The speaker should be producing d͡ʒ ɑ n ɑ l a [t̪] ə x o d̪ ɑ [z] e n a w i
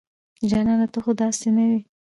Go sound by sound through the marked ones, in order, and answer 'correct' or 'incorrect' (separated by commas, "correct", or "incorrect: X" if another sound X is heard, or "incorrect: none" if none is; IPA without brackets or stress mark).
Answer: correct, incorrect: s